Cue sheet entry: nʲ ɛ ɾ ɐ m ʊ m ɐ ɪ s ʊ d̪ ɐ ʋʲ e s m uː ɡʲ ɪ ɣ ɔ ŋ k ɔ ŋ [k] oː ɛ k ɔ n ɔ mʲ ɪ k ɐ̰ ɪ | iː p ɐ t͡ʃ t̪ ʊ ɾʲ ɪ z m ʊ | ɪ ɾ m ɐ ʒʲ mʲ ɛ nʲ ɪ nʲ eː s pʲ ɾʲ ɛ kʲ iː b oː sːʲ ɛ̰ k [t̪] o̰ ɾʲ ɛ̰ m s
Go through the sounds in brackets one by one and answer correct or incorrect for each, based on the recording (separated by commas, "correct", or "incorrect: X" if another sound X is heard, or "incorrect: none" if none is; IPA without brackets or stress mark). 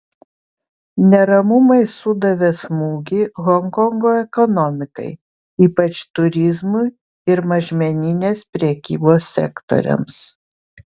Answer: incorrect: ɡ, correct